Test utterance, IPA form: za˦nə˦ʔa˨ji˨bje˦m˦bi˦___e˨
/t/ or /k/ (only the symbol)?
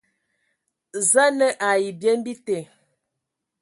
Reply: t